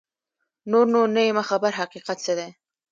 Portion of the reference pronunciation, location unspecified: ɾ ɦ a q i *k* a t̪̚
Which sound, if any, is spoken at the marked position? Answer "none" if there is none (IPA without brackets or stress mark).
q